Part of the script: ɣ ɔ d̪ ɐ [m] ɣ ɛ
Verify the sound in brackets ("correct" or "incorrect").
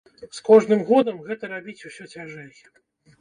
correct